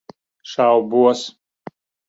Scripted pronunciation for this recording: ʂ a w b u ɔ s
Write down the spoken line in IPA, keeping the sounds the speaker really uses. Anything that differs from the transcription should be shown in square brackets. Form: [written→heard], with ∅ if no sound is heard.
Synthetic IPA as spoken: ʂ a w b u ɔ s